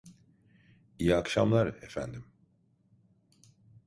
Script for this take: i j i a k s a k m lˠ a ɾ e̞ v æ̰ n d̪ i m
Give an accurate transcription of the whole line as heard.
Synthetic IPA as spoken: i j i a k ʃ a m lˠ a ɾ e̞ f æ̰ n d̪ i m